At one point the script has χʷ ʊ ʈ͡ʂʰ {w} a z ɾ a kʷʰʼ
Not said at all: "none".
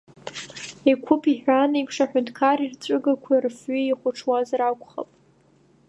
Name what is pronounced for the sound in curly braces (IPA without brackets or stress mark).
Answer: w